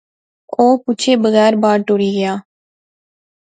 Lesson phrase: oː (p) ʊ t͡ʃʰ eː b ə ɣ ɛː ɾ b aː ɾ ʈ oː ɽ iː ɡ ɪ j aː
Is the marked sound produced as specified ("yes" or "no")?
yes